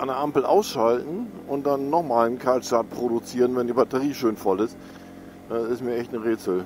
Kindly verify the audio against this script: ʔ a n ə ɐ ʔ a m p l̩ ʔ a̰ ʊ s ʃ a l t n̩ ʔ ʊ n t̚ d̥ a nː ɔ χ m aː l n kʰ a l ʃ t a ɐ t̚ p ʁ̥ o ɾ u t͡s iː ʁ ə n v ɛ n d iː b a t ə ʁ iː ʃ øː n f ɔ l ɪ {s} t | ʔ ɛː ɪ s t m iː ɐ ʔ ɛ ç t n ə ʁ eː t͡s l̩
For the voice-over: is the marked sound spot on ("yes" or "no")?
yes